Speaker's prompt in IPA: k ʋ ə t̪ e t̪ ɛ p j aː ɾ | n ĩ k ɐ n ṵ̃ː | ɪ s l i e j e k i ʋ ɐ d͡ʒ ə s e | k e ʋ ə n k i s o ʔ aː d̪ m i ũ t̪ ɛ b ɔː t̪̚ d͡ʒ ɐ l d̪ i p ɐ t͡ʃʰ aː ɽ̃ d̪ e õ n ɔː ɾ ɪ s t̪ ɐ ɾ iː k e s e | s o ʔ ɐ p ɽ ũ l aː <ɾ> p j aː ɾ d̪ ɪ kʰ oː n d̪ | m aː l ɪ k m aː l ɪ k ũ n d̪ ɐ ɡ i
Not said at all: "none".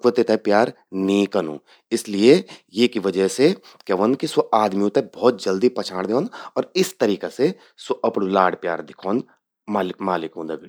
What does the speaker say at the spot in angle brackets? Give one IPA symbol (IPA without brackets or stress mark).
ɽ